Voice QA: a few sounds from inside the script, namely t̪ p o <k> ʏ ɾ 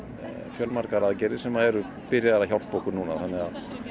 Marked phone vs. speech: correct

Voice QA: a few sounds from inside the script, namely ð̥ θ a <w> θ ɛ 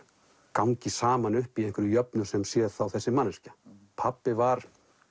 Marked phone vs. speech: correct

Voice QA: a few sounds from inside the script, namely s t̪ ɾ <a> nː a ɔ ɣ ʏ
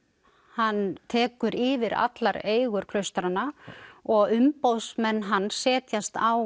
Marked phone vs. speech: correct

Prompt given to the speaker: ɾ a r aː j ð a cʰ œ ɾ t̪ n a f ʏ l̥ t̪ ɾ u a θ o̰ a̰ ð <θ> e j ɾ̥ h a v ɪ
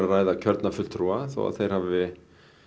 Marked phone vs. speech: correct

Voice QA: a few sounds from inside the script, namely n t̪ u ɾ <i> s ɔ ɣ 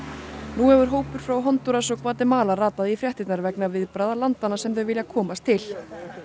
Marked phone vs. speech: incorrect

